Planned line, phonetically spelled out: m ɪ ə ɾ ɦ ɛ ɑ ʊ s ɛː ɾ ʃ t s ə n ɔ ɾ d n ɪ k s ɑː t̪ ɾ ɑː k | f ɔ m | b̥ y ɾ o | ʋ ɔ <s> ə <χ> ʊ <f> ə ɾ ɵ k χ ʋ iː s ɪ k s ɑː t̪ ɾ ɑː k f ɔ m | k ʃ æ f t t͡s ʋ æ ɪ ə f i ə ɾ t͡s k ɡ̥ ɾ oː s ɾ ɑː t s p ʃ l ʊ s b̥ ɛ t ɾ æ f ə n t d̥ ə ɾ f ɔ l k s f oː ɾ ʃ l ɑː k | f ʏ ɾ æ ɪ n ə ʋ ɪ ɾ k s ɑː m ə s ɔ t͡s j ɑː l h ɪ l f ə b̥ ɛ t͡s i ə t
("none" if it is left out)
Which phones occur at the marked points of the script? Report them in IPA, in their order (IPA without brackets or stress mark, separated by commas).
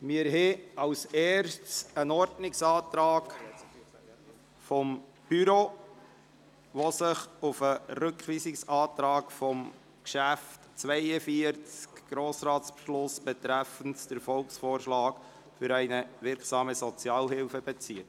s, χ, f